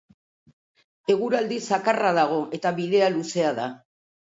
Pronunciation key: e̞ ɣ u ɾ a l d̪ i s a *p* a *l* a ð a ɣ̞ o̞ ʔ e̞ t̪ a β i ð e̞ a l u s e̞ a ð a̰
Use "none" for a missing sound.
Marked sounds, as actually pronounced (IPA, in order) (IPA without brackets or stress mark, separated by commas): k, r